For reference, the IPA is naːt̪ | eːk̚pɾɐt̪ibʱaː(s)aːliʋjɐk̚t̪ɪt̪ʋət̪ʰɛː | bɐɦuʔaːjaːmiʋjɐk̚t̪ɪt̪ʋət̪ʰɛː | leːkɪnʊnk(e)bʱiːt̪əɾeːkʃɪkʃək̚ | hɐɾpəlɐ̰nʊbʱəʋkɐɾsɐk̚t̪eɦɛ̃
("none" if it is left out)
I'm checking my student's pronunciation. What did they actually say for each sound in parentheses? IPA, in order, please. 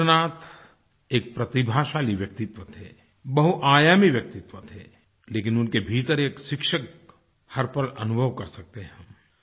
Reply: ʃ, e

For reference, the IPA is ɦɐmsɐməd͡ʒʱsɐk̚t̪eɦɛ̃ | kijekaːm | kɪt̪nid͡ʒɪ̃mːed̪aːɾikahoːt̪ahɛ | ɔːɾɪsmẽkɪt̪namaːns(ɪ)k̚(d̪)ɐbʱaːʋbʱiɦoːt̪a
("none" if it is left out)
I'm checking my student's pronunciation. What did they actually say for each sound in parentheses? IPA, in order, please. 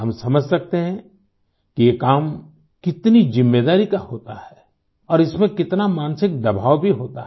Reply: ɪ, d̪

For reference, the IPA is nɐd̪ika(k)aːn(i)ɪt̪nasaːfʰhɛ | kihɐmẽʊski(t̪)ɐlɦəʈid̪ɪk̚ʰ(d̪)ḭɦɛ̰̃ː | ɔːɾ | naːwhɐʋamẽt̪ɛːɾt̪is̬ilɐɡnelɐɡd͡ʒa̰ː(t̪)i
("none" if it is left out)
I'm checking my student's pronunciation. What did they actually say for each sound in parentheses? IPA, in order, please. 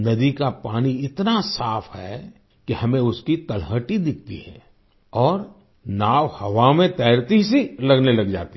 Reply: p, i, t̪, t̪, t̪

